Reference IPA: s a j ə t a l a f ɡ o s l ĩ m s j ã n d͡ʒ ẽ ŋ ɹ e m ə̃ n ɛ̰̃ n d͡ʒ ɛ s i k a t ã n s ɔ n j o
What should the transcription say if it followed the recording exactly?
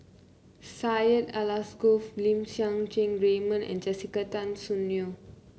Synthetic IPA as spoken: s a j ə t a l a s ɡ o f l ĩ m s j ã ŋ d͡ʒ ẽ ŋ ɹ e m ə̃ n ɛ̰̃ n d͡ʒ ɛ s i k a t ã n s u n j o